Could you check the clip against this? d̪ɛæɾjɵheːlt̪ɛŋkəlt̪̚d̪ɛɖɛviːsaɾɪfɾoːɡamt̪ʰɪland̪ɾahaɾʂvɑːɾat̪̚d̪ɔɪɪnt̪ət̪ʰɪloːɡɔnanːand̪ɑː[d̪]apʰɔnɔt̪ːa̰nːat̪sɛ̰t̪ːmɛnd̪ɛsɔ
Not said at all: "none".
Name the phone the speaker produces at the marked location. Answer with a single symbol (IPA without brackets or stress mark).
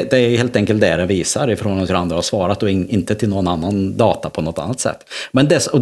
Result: t̪